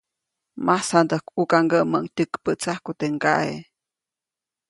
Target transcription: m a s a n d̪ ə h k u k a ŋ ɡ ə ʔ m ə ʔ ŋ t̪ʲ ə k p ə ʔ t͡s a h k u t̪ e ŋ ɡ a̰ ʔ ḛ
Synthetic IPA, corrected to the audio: m a s a n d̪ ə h k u k a ŋ ɡ ə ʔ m ə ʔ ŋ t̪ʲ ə k p ə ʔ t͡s a h k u t̪ e ŋ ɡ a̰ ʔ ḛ